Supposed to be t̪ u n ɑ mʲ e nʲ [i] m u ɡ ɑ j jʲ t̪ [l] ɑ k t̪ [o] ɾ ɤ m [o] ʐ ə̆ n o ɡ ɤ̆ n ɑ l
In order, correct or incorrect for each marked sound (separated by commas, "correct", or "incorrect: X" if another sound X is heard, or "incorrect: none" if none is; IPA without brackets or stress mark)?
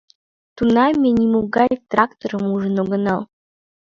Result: correct, incorrect: r, correct, incorrect: u